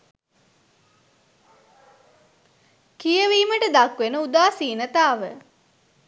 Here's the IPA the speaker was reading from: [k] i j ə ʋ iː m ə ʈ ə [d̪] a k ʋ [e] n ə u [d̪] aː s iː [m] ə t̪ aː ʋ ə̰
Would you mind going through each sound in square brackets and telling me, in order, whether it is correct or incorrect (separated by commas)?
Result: correct, correct, correct, correct, incorrect